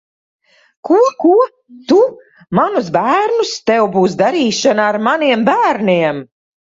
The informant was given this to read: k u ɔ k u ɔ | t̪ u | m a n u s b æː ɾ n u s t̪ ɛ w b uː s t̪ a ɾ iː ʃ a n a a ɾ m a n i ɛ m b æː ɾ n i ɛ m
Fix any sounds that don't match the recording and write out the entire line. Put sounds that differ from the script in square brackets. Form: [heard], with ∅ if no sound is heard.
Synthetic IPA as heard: k u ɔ k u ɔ | t̪ u | m a n u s b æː ɾ n u s t̪ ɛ w b uː s [d̪] a ɾ iː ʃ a n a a ɾ m a n i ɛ m b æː ɾ n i ɛ m